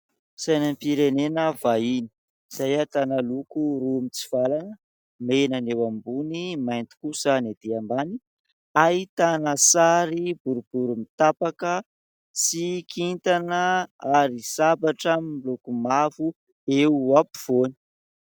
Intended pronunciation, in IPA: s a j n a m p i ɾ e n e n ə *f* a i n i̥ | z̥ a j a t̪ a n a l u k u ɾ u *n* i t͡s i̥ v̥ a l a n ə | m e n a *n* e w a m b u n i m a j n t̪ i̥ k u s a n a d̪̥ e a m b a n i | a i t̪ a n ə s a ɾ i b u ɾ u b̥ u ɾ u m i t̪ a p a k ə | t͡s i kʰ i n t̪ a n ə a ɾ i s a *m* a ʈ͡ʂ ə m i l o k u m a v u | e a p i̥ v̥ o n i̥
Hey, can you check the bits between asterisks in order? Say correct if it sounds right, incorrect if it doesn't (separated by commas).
incorrect, incorrect, correct, incorrect